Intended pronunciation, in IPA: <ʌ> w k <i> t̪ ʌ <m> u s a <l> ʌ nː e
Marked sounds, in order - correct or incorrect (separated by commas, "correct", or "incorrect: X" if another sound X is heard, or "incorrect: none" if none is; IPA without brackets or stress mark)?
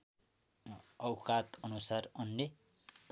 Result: correct, incorrect: a, incorrect: n, incorrect: r